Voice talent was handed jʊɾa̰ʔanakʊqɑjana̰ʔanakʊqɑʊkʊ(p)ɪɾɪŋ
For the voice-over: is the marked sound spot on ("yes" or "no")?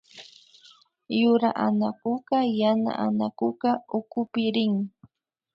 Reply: yes